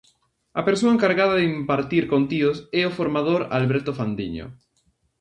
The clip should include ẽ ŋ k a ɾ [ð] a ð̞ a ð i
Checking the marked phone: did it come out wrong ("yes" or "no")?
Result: yes